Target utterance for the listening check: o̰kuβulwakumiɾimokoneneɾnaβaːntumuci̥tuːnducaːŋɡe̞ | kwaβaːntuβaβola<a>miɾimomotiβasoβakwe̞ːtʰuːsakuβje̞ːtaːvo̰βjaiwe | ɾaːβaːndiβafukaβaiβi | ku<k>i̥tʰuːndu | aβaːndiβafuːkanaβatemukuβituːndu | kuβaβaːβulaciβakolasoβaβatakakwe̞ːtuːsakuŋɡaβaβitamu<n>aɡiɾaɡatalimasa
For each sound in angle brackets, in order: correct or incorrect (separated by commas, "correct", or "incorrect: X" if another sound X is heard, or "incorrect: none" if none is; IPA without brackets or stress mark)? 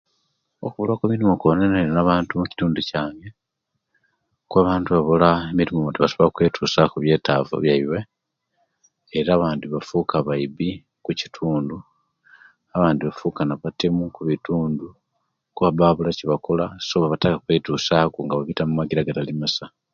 incorrect: e, incorrect: c, incorrect: m